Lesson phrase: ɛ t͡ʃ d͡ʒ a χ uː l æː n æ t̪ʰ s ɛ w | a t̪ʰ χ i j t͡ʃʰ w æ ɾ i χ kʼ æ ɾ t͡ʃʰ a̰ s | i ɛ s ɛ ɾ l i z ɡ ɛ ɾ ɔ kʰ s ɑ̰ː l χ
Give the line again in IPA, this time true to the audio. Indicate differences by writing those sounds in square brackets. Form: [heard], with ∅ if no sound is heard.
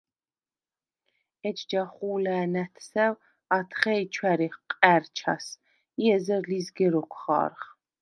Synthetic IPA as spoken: ɛ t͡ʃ d͡ʒ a χ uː l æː n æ t̪ʰ s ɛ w | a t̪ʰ χ [ɛ] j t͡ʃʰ w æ ɾ i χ [qʼ] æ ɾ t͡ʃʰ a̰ s | i ɛ [z] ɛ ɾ l i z ɡ ɛ ɾ ɔ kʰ [χ] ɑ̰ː [ɾ] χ

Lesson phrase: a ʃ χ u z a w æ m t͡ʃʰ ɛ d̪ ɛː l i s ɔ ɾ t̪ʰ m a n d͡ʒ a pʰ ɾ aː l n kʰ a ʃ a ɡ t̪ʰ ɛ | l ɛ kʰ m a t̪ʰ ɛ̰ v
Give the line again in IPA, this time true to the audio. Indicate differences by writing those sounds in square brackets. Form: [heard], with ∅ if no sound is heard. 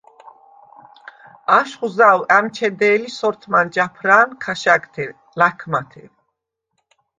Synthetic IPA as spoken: a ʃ χ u z a w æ m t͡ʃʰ ɛ d̪ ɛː l i s ɔ ɾ t̪ʰ m a n d͡ʒ a pʰ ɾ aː [∅] n kʰ a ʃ a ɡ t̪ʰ ɛ | l [a] kʰ m a t̪ʰ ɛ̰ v

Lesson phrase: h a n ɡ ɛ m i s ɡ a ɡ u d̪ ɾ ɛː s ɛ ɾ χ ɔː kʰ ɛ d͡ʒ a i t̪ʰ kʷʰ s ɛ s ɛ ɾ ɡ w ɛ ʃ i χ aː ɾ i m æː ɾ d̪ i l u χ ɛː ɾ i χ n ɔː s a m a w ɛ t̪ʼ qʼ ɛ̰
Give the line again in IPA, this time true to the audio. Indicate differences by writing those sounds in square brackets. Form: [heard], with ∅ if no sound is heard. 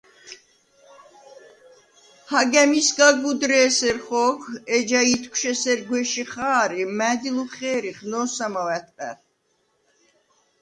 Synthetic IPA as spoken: h a [∅] ɡ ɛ m i s ɡ a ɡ u d̪ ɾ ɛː s ɛ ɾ χ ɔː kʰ ɛ d͡ʒ a i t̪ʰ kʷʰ [ʃ] ɛ s ɛ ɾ ɡ w ɛ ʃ i χ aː ɾ i m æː [∅] d̪ i l u χ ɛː ɾ i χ n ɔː s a m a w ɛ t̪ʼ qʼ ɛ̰

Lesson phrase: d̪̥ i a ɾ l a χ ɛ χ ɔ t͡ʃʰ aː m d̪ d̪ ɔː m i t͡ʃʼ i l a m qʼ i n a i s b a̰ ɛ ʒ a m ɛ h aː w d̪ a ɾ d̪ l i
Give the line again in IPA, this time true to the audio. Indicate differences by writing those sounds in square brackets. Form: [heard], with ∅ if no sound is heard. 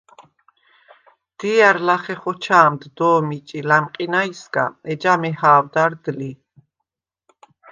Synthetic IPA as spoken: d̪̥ i a ɾ l a χ ɛ χ ɔ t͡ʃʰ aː m d̪ d̪ ɔː m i t͡ʃʼ i l a m qʼ i n a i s [ɡ] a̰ ɛ [d͡ʒ] a m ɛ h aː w d̪ a ɾ d̪ l i

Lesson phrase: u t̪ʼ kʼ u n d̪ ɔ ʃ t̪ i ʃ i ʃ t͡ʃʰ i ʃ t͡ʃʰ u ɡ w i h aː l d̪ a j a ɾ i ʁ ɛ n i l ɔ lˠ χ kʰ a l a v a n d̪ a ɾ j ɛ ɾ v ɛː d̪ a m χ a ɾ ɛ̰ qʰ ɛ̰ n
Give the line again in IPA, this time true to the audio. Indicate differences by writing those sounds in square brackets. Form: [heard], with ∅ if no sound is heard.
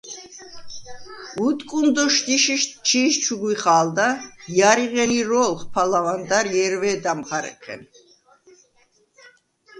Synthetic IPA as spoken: u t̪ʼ kʼ u n d̪ ɔ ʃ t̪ i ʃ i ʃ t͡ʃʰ i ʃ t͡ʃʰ u ɡ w i [χ] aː l d̪ a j a ɾ i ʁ ɛ n i [ɾ] ɔ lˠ χ [pʰ] a l a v a n d̪ a ɾ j ɛ ɾ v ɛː d̪ a m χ a ɾ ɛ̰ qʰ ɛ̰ n

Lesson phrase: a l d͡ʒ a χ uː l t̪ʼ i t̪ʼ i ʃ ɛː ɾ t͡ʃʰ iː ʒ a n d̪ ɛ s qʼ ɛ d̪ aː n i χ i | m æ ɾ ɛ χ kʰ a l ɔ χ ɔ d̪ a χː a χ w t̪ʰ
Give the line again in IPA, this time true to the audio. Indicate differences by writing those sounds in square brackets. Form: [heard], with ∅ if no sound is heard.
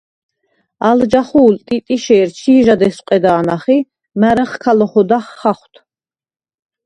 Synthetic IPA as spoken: a l d͡ʒ a χ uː l t̪ʼ i t̪ʼ i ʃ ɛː ɾ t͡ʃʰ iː ʒ a [∅] d̪ ɛ s qʼ ɛ d̪ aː n [a] χ i | m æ ɾ ɛ χ kʰ a l ɔ χ ɔ d̪ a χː a χ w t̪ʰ

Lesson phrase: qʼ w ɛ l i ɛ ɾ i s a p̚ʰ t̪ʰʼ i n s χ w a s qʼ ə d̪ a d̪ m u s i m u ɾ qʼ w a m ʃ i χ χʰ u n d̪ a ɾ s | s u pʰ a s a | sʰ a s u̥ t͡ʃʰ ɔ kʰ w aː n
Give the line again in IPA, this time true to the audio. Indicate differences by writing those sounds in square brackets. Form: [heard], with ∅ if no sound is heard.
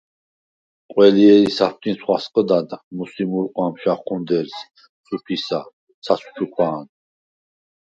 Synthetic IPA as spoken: qʼ w ɛ l i ɛ ɾ i s a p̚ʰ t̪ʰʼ i n s χ w a s qʼ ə d̪ a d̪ m u s i m u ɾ qʼ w a m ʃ [a] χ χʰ u n d̪ [ɛ] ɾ s | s u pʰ [i] s a | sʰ a s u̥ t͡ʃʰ [u] kʰ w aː n

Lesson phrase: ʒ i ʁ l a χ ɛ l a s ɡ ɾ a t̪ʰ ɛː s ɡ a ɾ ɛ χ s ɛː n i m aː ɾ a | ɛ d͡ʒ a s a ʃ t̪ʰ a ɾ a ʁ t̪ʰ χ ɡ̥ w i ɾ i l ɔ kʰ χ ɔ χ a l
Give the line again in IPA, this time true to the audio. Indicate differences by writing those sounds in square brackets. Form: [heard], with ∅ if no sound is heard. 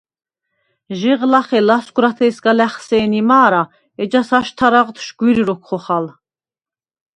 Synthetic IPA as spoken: ʒ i ʁ l a χ ɛ l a s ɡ ɾ a t̪ʰ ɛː s ɡ a [l] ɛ χ s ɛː n i m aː ɾ a | ɛ d͡ʒ a s a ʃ t̪ʰ a ɾ a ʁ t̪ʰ [ʃ] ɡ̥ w i ɾ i [ɾ] ɔ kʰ χ ɔ χ a l

